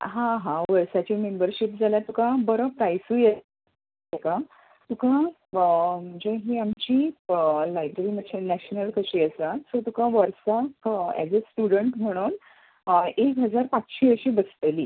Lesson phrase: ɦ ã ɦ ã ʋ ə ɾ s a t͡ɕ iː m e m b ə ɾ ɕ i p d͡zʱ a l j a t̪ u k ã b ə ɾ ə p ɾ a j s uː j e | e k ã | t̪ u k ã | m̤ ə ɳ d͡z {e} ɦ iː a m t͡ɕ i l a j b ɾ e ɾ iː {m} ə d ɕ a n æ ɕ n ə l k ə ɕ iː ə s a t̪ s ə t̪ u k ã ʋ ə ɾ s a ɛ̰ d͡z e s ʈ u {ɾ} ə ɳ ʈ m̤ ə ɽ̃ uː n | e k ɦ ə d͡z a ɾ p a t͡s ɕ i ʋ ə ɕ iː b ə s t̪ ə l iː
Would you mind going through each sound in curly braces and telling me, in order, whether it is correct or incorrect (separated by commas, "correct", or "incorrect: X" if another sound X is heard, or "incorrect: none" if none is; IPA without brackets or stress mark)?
correct, correct, incorrect: ɽ